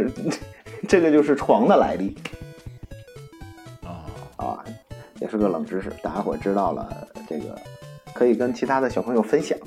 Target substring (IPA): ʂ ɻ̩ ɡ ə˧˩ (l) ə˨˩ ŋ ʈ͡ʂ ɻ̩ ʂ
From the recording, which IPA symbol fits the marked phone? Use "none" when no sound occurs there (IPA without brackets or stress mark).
l